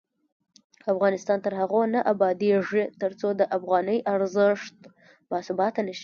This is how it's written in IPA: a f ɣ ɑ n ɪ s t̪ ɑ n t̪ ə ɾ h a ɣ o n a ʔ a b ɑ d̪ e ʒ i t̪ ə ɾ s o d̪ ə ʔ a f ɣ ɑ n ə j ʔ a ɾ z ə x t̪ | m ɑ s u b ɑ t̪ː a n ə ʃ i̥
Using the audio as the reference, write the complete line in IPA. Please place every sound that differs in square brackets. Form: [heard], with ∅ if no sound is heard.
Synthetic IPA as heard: a f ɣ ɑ n ɪ s t̪ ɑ n t̪ ə ɾ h a ɣ o n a ʔ a b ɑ d̪ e [ʐ] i t̪ ə ɾ [t͡s] o d̪ ə ʔ a f ɣ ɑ n ə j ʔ a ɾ z ə [ʂ] t̪ | m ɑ s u b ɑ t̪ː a n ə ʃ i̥